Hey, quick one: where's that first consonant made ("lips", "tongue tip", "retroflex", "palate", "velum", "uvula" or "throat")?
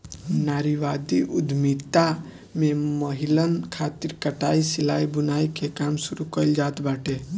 tongue tip